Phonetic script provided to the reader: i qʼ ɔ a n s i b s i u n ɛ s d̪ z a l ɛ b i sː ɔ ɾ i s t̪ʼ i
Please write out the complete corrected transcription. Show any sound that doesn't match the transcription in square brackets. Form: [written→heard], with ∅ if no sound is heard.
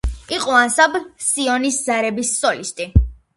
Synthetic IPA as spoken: i qʼ ɔ a n s [i→a] b s i [u→ɔ] n [ɛ→i] s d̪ z a [l→ɾ] ɛ b i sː ɔ [ɾ→l] i s t̪ʼ i